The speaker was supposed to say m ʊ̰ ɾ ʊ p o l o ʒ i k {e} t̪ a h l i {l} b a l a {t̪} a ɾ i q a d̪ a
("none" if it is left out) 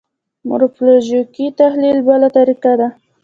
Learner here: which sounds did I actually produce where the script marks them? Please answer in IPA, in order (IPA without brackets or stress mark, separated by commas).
i, l, t̪